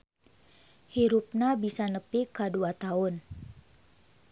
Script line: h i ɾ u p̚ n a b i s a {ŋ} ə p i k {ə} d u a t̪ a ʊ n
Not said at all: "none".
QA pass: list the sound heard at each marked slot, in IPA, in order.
n, a

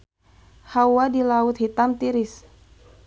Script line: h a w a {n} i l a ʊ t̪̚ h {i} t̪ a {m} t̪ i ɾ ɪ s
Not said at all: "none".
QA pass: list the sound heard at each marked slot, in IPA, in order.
d, i, m

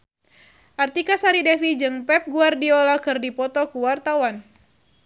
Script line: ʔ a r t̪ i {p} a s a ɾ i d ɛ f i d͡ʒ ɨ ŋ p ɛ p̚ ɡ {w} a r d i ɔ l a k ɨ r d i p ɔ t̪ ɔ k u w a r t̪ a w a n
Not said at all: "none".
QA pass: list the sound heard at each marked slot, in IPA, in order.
k, u

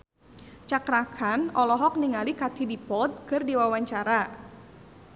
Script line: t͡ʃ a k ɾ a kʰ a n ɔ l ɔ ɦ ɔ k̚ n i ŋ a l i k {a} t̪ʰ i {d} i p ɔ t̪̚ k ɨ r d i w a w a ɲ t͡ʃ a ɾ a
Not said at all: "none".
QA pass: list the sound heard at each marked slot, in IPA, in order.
a, d

